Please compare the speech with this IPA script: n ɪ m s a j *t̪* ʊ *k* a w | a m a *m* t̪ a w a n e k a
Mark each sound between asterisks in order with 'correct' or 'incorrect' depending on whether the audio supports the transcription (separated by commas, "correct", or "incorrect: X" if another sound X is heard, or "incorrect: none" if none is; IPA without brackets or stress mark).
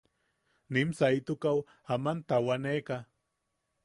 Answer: correct, correct, incorrect: n